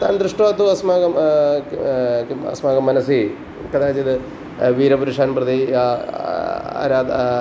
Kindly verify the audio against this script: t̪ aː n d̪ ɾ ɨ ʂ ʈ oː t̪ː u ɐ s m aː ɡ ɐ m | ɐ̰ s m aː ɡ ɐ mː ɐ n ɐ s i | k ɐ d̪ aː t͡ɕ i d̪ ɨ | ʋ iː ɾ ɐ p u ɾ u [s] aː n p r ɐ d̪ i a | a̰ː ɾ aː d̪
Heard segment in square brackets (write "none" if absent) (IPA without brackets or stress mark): ʂ